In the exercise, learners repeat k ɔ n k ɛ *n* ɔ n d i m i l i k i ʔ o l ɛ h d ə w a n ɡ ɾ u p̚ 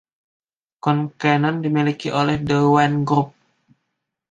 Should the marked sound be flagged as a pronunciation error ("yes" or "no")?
no